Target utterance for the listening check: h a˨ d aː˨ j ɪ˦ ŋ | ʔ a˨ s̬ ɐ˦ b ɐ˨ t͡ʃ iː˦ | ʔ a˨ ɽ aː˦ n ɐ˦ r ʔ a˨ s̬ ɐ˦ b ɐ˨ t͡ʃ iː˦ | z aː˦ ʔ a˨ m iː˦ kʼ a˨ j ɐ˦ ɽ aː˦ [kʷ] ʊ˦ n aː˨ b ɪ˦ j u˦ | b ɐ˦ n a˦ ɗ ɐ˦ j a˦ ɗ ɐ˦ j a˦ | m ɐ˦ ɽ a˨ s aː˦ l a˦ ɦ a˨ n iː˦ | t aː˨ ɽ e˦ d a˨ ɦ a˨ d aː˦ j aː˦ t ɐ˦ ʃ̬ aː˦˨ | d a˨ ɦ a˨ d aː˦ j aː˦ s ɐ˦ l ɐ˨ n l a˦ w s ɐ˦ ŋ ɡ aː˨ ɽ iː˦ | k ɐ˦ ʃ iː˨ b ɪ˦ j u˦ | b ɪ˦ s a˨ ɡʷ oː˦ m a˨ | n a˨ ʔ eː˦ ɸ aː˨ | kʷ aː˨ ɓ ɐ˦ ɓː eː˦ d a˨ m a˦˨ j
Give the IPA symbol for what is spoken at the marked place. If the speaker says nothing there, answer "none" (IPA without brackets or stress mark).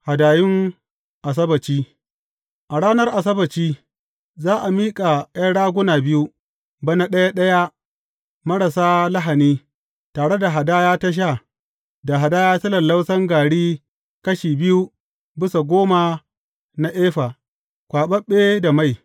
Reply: ɡʷ